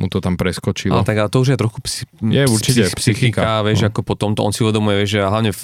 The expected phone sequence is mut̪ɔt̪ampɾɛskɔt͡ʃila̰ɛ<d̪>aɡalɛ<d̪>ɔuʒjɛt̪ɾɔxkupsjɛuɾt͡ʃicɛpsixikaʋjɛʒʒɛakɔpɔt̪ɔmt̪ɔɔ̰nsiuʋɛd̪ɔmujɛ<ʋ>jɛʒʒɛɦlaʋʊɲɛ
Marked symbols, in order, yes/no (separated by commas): no, no, yes